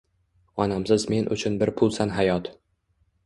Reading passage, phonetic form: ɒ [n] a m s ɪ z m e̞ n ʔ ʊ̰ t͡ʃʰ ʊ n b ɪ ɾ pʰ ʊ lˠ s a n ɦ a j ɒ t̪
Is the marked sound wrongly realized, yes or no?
no